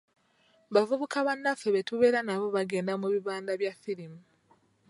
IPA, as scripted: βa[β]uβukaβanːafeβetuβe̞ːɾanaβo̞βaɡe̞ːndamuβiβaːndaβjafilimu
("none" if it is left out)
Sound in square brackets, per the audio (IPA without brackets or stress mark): v